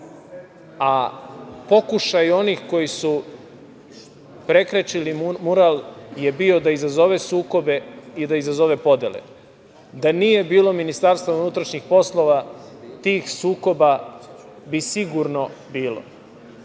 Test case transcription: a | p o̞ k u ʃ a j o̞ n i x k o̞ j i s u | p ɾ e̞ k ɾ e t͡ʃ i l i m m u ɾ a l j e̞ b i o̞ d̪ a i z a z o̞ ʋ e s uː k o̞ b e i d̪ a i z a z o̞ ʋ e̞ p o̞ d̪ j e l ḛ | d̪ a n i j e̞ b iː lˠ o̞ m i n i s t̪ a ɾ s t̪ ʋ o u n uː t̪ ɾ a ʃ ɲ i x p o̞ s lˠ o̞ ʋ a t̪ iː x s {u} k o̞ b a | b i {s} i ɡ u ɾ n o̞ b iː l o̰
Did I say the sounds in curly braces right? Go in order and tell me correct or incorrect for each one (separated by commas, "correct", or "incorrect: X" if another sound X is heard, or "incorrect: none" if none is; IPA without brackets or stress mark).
incorrect: uː, correct